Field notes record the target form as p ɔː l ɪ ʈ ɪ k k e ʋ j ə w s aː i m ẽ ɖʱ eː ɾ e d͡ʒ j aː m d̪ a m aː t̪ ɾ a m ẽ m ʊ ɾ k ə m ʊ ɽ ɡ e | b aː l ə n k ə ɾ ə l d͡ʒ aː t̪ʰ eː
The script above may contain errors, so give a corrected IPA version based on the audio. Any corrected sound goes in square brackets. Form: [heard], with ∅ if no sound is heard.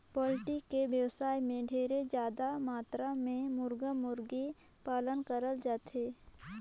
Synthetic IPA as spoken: p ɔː l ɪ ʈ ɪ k k e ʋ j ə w s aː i m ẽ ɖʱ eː ɾ e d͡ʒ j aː [∅] d̪ a m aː t̪ ɾ a m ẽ m ʊ ɾ [ɡ] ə m ʊ [ɾ] ɡ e | [p] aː l ə n k ə ɾ ə l d͡ʒ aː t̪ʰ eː